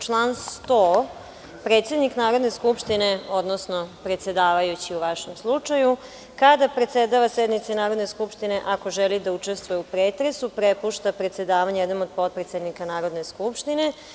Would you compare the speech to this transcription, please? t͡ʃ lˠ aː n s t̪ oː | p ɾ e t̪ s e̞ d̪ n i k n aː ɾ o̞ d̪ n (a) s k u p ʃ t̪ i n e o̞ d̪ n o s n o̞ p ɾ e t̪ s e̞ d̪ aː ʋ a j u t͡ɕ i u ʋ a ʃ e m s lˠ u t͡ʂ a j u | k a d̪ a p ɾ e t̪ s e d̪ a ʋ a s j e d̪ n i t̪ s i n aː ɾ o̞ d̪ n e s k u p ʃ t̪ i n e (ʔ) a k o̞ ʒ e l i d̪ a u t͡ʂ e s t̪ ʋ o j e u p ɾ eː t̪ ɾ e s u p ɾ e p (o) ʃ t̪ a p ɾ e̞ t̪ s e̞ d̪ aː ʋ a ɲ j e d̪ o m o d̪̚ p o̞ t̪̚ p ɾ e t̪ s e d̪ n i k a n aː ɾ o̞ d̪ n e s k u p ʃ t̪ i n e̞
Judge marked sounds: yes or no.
no, yes, no

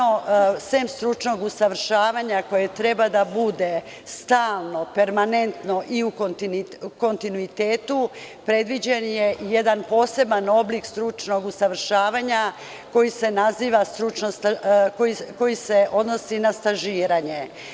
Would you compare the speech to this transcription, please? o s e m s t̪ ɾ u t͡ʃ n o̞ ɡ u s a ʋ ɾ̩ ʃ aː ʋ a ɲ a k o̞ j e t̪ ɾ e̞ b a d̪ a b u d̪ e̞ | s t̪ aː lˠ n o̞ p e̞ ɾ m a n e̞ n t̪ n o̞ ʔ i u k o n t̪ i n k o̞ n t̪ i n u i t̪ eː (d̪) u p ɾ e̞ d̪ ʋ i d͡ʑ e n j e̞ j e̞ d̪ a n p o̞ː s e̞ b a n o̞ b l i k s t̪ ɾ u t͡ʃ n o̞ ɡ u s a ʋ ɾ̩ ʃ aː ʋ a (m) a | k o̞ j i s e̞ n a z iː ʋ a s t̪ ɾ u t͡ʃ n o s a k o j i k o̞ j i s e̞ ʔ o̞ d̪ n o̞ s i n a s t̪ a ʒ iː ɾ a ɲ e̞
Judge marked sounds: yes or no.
no, no

